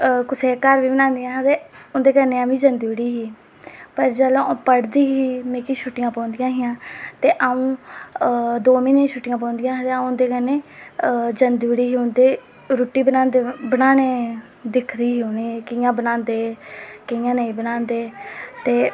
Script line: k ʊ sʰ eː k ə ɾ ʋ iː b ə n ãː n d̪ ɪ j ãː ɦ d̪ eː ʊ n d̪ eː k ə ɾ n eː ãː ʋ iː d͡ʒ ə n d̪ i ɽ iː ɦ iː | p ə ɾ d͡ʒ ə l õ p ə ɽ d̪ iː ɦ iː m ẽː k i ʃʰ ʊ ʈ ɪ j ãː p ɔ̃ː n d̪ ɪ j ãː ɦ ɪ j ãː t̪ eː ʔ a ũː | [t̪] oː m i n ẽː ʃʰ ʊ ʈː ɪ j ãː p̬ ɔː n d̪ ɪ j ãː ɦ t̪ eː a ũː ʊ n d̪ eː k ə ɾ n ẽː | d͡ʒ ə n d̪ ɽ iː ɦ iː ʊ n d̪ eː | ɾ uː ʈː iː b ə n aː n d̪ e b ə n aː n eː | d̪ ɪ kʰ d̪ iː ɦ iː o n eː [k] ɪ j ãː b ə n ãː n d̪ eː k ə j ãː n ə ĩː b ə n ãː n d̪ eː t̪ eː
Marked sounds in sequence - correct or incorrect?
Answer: incorrect: d̪, correct

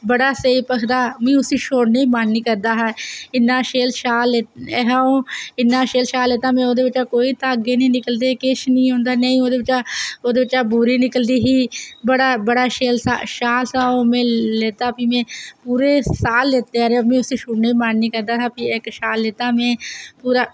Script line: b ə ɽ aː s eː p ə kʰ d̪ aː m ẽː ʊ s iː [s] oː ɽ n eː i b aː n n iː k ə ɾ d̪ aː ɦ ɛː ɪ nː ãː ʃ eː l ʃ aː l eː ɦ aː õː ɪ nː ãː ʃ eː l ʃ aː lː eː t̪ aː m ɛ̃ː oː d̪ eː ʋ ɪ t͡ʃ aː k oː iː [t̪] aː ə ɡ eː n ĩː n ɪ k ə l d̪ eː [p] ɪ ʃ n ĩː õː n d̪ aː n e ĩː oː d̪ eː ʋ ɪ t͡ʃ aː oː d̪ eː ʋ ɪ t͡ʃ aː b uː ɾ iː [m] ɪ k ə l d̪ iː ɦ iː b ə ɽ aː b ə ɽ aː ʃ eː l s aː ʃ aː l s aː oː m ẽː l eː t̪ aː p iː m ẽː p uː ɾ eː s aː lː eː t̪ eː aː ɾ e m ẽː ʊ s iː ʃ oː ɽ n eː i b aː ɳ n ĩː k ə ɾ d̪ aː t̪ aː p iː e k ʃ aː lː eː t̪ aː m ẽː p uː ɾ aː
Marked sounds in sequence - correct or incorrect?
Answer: incorrect: ʃ, correct, incorrect: k, incorrect: n

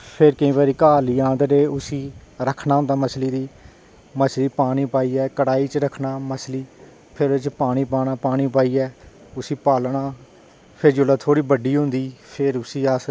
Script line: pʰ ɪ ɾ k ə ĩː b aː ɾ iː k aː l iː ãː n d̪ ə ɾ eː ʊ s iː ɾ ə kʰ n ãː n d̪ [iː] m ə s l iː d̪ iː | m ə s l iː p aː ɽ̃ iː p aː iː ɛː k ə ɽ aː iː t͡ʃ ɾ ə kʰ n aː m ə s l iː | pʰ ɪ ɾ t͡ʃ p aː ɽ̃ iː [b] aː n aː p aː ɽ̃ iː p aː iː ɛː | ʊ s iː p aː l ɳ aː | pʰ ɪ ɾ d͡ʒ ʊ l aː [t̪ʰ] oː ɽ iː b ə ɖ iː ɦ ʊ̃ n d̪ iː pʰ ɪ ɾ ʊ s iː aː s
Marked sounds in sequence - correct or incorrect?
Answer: incorrect: aː, incorrect: p, correct

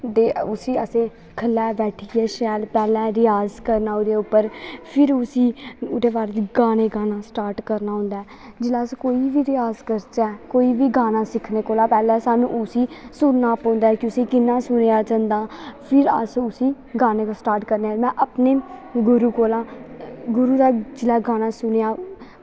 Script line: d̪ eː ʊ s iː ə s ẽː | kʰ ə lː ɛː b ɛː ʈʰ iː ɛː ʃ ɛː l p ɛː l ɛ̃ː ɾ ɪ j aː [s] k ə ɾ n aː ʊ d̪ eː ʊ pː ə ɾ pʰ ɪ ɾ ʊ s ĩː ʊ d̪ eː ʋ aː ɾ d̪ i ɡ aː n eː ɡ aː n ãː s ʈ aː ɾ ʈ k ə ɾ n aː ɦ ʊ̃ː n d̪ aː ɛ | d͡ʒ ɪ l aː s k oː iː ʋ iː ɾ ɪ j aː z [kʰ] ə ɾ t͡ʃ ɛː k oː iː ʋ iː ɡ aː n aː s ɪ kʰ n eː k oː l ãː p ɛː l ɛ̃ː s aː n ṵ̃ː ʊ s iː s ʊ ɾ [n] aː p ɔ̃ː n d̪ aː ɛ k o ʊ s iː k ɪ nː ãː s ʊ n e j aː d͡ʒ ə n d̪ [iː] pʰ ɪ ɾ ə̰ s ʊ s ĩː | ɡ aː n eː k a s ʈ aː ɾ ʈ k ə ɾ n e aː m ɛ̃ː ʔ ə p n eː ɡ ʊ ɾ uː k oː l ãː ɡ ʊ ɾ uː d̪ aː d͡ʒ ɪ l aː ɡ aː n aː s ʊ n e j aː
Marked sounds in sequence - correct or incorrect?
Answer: incorrect: z, incorrect: k, correct, incorrect: aː

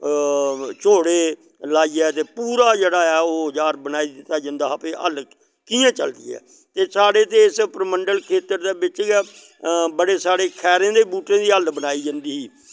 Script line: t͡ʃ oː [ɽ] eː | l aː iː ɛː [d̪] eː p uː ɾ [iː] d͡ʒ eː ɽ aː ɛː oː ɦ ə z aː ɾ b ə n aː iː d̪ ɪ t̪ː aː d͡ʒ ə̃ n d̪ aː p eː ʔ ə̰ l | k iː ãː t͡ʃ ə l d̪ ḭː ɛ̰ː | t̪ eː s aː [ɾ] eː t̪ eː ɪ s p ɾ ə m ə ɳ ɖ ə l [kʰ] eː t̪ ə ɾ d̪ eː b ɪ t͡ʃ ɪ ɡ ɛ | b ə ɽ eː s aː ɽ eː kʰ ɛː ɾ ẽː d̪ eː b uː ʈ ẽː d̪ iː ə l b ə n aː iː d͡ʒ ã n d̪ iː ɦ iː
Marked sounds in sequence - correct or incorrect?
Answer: correct, incorrect: t̪, incorrect: aː, incorrect: ɽ, correct

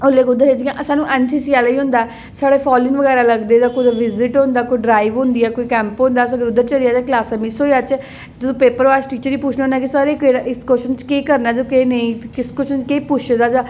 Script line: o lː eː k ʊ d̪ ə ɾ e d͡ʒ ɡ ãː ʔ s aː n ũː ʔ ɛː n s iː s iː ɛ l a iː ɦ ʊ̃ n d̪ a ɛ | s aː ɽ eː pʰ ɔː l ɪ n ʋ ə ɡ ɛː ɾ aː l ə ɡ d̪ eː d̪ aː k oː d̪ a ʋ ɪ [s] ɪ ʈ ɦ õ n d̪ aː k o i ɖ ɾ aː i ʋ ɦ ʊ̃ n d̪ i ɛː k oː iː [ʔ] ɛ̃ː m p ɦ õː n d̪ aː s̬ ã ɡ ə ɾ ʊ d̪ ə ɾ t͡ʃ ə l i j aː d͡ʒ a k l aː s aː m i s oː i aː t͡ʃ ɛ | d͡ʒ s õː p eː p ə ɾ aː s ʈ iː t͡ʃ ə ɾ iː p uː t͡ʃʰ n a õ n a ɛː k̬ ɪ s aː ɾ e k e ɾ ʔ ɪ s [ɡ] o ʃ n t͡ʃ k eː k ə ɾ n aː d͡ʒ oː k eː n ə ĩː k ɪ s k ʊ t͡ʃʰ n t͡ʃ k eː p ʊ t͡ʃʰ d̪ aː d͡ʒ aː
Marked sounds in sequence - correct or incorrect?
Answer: incorrect: z, incorrect: k, incorrect: k

